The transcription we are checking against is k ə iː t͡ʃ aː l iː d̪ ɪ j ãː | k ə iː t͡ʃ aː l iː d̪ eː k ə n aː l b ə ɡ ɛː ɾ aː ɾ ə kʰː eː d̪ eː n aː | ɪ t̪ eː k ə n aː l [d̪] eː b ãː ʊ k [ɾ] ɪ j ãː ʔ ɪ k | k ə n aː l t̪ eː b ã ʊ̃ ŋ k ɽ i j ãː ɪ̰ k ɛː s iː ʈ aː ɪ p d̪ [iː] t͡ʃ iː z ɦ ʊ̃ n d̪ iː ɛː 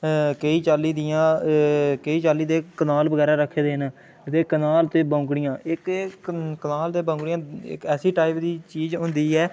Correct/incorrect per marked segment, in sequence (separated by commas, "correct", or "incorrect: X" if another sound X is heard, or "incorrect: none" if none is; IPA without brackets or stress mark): incorrect: t̪, incorrect: ɽ, correct